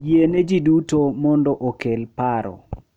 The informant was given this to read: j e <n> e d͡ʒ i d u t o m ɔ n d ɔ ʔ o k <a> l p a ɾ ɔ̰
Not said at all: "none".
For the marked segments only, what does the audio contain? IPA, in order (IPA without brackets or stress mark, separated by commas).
n, e